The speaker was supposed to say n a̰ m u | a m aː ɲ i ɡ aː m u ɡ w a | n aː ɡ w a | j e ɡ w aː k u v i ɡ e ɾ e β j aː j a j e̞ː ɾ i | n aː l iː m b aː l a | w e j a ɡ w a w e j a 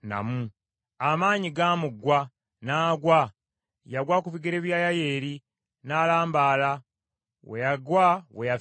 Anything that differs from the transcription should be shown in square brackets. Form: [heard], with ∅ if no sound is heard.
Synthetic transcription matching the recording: n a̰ m u | a m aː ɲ i ɡ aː m u ɡ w a | n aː ɡ w a | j [a] ɡ w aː k u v i ɡ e ɾ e β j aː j a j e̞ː ɾ i | n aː l [aː] m b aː l a | w e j a ɡ w a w e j a